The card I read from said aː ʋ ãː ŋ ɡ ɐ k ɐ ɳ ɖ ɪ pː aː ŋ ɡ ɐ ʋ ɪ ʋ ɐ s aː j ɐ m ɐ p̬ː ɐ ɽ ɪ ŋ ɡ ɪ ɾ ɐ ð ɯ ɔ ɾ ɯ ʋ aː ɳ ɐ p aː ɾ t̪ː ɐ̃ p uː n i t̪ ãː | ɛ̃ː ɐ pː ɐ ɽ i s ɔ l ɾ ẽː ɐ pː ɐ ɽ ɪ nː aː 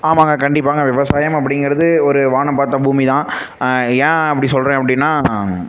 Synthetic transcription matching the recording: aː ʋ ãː ŋ ɡ ɐ k ɐ ɳ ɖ ɪ pː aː ŋ ɡ ɐ ʋ ɪ ʋ ɐ s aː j ɐ m ɐ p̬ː ɐ ɽ ɪ ŋ ɡ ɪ ɾ ɐ ð ɯ ɔ ɾ ɯ ʋ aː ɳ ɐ p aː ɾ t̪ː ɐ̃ b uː m i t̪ ãː | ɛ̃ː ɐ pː ɐ ɽ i s ɔ l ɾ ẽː ɐ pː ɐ ɽ ɪ nː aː